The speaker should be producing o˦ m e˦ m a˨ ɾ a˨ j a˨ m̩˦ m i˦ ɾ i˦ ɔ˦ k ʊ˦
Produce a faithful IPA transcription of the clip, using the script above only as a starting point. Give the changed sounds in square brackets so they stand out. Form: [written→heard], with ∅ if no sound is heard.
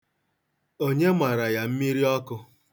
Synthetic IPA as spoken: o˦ [m→ɲ] e˦ m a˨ ɾ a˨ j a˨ m̩˦ m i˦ ɾ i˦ ɔ˦ k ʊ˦